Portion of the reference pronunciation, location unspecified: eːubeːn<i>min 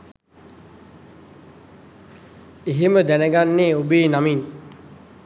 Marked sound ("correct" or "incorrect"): incorrect